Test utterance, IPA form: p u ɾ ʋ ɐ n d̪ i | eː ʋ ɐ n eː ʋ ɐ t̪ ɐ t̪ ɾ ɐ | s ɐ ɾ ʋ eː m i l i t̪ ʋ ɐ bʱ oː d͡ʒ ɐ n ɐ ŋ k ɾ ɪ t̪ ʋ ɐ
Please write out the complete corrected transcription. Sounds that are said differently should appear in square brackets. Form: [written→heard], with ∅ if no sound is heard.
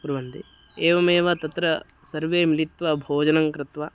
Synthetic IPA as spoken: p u ɾ ʋ ɐ n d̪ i | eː ʋ ɐ [n→m] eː ʋ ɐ t̪ ɐ t̪ ɾ ɐ | s ɐ ɾ ʋ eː m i l i t̪ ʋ ɐ bʱ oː d͡ʒ ɐ n ɐ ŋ k ɾ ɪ t̪ ʋ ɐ